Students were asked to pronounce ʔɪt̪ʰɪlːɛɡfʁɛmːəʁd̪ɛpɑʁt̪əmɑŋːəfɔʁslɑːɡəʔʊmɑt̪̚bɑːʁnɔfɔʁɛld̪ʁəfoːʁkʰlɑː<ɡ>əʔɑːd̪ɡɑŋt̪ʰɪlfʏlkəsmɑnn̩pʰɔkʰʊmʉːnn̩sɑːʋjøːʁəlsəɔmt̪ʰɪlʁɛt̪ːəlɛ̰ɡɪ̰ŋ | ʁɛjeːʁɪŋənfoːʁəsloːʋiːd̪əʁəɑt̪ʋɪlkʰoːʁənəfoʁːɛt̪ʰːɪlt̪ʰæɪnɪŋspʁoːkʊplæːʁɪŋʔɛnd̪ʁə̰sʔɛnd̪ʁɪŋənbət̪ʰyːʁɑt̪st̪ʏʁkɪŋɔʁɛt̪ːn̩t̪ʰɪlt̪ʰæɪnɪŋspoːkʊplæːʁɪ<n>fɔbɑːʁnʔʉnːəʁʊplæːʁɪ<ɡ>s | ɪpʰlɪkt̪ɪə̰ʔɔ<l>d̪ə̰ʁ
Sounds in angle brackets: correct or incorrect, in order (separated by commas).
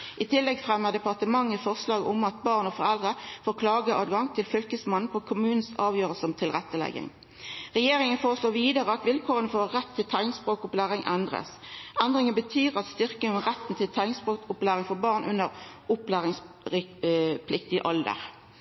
correct, incorrect, incorrect, correct